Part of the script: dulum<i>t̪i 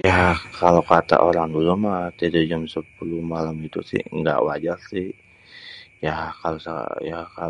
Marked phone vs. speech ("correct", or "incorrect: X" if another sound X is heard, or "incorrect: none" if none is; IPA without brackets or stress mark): incorrect: a